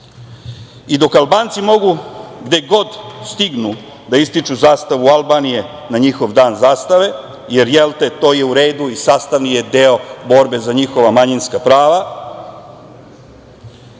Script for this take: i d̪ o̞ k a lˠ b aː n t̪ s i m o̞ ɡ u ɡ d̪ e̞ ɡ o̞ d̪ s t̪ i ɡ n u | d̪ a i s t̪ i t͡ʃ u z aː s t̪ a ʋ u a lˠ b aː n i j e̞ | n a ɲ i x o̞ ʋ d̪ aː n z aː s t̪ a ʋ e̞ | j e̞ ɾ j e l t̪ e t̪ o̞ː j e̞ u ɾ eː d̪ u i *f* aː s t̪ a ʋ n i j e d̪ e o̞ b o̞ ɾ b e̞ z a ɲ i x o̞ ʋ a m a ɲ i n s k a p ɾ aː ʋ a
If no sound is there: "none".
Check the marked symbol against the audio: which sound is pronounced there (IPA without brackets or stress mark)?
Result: s